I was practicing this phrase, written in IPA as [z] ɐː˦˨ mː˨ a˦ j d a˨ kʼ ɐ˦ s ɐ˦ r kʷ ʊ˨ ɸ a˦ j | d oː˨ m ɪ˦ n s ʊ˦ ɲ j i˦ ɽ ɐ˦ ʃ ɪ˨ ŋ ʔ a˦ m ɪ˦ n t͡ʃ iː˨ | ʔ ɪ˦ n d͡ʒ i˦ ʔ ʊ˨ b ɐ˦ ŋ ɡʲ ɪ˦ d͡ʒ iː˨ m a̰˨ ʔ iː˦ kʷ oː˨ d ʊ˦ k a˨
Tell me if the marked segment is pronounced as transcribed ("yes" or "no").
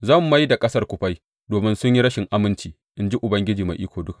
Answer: yes